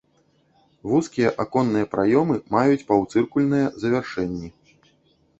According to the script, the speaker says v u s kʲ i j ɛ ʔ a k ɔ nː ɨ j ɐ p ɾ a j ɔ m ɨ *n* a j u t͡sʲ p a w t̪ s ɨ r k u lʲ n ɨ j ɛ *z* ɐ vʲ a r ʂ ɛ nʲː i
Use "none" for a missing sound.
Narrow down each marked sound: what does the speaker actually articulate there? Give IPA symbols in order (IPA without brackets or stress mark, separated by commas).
m, z